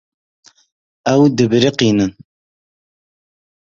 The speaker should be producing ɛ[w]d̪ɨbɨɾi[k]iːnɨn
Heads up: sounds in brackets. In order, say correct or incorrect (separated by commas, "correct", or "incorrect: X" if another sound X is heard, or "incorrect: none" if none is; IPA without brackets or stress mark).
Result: correct, incorrect: q